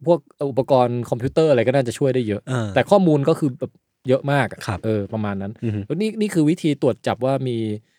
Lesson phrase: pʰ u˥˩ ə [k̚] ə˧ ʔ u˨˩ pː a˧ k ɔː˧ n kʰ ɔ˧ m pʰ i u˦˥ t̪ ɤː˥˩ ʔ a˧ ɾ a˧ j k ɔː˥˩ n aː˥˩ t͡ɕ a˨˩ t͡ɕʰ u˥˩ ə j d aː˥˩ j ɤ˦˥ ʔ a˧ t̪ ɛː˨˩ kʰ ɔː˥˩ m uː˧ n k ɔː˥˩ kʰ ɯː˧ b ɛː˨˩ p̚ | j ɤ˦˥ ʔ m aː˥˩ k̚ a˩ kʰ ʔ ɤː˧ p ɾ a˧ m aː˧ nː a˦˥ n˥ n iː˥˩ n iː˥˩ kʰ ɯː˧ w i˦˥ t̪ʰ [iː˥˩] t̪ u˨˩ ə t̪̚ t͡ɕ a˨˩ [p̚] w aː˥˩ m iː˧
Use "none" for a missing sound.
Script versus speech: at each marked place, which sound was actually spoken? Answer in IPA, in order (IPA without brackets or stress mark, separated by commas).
k̚, iː˧, p̚